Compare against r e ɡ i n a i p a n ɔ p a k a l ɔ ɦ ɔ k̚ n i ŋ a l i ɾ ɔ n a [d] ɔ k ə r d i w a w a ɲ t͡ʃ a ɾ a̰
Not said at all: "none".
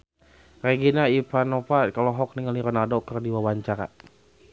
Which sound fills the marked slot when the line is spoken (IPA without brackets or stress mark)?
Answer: d